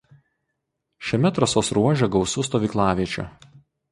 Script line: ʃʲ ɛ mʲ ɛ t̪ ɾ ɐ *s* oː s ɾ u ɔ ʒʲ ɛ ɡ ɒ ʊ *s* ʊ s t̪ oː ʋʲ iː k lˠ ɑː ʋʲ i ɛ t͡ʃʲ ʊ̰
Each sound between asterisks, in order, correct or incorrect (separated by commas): correct, correct